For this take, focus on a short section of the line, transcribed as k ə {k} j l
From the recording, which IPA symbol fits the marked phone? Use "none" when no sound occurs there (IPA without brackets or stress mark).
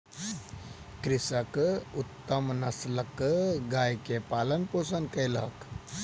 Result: none